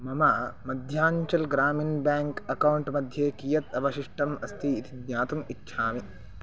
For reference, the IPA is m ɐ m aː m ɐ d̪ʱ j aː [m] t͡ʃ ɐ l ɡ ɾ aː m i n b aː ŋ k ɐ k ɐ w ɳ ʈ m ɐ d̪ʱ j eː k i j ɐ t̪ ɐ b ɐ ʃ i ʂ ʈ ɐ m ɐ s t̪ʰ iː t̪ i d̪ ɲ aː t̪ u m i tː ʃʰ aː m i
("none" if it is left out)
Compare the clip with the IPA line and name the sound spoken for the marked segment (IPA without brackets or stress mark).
ɲ